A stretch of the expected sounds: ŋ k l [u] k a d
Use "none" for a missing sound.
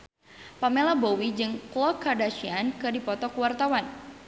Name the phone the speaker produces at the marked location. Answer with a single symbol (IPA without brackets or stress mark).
ɔ